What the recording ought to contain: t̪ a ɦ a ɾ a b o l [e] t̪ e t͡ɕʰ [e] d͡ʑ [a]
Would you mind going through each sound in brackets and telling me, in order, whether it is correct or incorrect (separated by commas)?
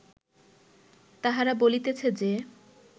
incorrect, correct, incorrect